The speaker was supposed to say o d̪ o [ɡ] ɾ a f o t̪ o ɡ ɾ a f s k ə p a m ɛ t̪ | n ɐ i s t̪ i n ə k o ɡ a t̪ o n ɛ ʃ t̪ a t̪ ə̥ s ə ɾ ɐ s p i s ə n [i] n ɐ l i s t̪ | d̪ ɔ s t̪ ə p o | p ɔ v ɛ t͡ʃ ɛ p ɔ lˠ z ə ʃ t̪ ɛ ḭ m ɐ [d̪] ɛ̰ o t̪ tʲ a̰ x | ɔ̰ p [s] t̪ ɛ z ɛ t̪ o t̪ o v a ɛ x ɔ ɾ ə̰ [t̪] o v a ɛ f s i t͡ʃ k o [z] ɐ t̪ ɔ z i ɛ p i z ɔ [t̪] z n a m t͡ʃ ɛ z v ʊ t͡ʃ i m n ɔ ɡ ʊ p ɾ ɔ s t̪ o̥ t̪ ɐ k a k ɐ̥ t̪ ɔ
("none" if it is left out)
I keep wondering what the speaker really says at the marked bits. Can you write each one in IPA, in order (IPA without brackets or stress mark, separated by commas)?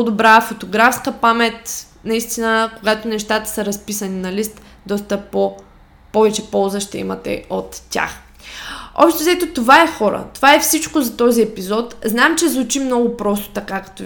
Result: b, i, t̪, ʃ, t̪, z, t̪